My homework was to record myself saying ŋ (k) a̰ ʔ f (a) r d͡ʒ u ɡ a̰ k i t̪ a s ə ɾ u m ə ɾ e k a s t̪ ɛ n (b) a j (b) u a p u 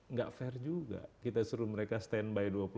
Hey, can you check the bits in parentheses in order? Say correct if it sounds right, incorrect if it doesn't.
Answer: incorrect, incorrect, correct, incorrect

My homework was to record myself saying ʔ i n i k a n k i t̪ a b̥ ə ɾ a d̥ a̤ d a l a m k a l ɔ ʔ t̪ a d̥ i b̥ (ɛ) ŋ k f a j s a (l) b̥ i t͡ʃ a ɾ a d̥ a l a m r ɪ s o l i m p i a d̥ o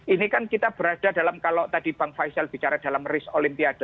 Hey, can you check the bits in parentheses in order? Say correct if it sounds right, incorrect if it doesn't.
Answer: incorrect, correct

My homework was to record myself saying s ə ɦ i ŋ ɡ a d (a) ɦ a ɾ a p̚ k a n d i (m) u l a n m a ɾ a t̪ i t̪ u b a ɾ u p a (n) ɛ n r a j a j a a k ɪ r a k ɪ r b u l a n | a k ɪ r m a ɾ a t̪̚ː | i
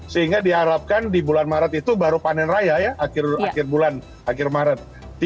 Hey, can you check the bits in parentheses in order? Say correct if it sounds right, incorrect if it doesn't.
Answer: incorrect, incorrect, correct

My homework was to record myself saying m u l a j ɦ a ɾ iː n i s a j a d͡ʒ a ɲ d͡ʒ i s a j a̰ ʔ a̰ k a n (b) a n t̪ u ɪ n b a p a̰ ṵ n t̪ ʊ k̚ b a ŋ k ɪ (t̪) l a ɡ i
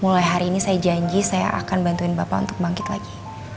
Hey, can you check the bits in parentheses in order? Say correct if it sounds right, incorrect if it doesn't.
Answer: correct, correct

